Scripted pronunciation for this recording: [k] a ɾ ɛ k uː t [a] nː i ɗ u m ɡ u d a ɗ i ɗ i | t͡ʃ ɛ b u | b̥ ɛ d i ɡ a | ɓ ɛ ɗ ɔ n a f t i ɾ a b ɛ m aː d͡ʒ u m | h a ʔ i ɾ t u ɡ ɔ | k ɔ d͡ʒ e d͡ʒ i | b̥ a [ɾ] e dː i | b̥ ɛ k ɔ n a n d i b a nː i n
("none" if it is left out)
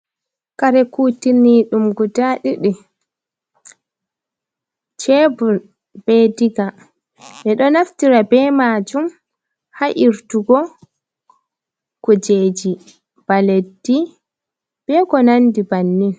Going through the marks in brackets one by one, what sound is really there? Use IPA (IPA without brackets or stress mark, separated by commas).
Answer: k, i, l